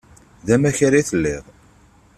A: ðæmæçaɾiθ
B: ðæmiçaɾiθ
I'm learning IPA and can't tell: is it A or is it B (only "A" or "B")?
A